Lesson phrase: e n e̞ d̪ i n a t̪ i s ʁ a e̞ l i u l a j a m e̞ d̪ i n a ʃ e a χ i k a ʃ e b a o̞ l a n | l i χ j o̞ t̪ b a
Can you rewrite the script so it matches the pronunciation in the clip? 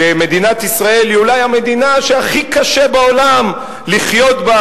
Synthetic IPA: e m e̞ d̪ i n a t̪ i s ʁ a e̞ l i u l a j a m e̞ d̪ i n a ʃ e a χ i k a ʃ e b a o̞ l a m | l i χ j o̞ t̪ b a